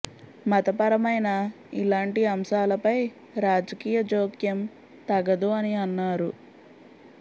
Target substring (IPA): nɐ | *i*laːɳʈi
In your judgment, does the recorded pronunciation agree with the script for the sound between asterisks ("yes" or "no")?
yes